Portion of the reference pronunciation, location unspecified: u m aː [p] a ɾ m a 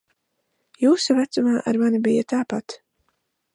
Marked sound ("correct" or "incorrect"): incorrect